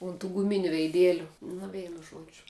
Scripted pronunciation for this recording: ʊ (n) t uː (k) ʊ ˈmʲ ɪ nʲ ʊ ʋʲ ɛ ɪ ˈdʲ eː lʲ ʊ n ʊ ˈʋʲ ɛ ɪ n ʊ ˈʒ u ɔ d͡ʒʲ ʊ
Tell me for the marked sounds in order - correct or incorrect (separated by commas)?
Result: correct, incorrect